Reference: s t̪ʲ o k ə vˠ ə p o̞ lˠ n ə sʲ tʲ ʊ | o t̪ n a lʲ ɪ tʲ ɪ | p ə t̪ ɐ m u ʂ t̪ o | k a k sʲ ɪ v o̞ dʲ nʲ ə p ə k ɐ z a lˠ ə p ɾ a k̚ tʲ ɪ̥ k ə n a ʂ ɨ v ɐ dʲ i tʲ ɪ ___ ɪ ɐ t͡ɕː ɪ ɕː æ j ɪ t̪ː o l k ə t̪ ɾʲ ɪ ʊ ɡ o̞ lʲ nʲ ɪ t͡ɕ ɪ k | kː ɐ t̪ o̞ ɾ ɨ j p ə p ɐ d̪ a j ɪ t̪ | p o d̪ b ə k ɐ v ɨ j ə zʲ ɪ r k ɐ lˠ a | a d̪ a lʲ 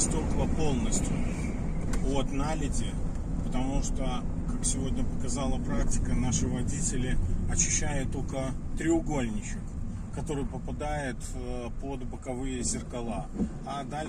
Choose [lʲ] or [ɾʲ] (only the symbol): lʲ